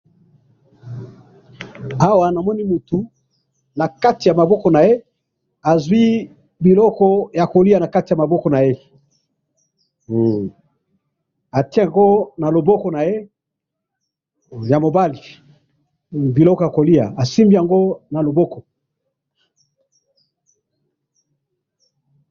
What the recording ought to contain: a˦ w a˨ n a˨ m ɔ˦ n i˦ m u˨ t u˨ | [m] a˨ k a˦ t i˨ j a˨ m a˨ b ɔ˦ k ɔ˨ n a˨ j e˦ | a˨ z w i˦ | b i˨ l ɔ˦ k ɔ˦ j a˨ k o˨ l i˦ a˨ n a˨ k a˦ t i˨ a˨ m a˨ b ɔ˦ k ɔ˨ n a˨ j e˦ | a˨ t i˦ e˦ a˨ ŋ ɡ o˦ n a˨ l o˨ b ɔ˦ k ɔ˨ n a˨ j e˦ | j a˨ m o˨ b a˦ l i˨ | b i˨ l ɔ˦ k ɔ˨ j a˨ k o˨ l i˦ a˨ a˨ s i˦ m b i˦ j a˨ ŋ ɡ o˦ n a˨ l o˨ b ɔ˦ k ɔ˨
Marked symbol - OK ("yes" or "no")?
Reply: no